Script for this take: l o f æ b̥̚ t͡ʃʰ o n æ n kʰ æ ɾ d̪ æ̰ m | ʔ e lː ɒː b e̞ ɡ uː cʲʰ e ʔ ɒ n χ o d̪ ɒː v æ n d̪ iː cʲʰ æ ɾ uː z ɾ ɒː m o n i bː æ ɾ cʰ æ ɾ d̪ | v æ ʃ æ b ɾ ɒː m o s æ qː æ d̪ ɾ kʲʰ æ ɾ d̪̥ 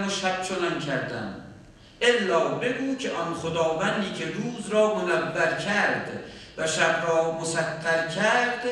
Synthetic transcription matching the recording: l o ʃ æ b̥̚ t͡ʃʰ o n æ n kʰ æ ɾ d̪ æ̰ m | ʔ e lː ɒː b e̞ ɡ uː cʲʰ e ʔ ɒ n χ o d̪ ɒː v æ n d̪ iː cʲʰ e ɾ uː z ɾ ɒː m o n æ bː æ ɾ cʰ æ ɾ d̪ | v æ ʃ æ b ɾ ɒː m o s æ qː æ ɾ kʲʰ æ ɾ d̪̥